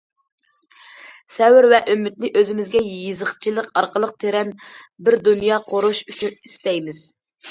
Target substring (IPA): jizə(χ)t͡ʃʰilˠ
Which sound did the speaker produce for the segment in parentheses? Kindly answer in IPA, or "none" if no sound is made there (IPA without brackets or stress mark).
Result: χ